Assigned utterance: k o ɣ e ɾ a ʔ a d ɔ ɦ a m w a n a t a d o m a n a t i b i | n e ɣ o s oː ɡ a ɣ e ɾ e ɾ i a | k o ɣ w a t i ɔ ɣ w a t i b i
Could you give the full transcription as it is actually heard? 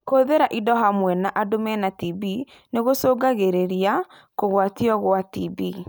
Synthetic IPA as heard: k o ð e ɾ a ʔ i d ɔ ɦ a m w ɛ n a ʔ a d o m ɛ n a t i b i | n e ɣ o s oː ɡ a ɣ e ɾ e ɾ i a | k o ɣ w a t i ɔ ɣ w a t i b i